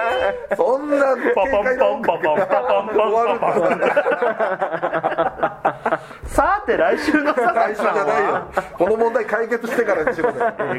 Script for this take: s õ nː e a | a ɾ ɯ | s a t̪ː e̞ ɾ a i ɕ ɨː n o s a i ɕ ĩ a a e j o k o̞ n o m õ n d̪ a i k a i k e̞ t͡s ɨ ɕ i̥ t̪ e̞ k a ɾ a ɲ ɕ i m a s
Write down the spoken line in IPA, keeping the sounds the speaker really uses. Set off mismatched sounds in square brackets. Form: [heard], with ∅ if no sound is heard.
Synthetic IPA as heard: s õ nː [a] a | a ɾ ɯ | s a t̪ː e̞ ɾ a i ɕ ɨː n o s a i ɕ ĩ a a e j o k o̞ n o m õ n d̪ a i k a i k e̞ t͡s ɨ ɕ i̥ t̪ e̞ k a ɾ a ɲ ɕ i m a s